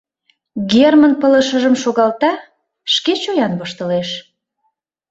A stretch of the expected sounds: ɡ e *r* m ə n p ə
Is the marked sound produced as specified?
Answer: yes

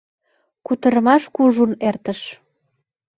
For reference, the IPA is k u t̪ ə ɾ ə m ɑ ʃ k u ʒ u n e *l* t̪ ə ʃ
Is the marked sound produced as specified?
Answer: no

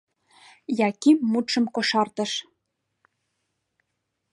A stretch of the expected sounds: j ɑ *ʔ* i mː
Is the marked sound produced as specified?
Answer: no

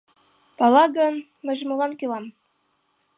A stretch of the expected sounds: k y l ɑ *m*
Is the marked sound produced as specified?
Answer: yes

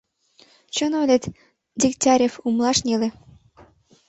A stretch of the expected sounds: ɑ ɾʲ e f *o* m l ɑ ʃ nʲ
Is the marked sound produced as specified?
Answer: no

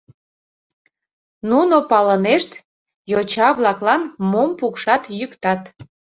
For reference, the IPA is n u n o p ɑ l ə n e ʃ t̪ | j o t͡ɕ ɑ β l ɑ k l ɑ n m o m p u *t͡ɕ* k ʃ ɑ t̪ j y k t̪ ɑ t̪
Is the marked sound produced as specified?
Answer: no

